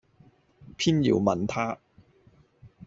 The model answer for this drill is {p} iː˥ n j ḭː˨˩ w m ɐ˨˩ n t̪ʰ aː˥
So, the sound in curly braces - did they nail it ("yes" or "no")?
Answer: no